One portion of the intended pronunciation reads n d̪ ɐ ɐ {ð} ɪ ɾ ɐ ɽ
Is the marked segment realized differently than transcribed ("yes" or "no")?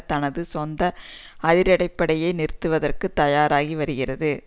no